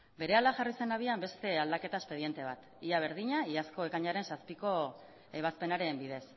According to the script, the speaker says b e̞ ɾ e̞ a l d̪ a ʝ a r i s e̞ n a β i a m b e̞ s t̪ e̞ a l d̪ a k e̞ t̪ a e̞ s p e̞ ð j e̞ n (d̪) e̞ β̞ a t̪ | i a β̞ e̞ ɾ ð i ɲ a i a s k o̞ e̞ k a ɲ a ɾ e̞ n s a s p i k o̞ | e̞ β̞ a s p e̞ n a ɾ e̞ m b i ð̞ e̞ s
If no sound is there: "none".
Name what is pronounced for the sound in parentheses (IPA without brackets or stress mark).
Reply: t̪